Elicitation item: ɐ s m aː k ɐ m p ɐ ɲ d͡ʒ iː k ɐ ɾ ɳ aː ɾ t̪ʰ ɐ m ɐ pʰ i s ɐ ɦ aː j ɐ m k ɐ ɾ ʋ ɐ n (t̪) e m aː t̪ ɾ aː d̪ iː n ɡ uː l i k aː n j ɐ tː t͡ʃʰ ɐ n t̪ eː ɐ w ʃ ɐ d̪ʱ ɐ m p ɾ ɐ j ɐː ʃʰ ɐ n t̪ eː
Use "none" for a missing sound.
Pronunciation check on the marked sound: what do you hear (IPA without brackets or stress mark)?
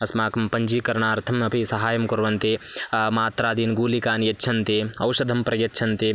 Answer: t̪